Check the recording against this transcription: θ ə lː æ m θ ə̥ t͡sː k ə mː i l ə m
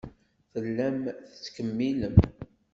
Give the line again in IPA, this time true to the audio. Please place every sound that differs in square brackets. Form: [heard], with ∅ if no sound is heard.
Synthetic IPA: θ ə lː æ m θ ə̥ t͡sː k ə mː i l ə m